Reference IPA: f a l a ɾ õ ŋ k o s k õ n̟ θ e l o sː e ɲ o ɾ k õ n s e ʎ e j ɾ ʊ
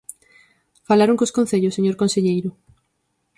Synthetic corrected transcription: f a l a ɾ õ ŋ k o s k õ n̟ θ e ʎ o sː e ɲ o ɾ k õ n s e ʎ e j ɾ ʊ